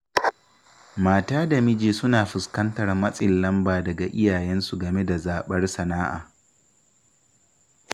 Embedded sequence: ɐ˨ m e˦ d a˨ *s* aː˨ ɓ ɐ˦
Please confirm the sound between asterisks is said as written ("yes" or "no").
no